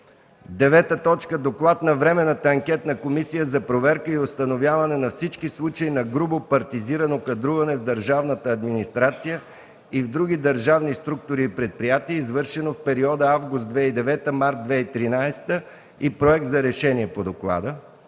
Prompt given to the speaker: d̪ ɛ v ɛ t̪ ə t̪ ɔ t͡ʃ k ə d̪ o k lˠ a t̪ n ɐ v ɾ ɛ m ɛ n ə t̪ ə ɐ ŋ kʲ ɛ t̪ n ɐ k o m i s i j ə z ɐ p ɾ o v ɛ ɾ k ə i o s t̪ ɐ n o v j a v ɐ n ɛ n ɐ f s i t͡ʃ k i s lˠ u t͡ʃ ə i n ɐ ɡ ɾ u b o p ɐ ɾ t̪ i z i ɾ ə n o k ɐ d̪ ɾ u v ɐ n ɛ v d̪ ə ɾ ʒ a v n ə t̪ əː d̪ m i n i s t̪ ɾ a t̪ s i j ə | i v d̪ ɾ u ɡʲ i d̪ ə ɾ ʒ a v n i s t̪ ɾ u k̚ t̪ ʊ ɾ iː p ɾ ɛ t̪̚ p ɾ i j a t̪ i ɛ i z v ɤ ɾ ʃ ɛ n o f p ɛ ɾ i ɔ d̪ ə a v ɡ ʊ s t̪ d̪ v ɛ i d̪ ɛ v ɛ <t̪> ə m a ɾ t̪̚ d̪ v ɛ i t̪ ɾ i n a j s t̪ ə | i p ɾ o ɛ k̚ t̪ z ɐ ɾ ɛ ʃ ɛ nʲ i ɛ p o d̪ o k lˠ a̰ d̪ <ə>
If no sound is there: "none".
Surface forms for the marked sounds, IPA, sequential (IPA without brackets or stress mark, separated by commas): t̪, ə